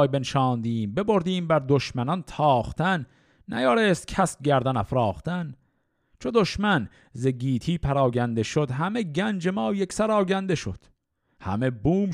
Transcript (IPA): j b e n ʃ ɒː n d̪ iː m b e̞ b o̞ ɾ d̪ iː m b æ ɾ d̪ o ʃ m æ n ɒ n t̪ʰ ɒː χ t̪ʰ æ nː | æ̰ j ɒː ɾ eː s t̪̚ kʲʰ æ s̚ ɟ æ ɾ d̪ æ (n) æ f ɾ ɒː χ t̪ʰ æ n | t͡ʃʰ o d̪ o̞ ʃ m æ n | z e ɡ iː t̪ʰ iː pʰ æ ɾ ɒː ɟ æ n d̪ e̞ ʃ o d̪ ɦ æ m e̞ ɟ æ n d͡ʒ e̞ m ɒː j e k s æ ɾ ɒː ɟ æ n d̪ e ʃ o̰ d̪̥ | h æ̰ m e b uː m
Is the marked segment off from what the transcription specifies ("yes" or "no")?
no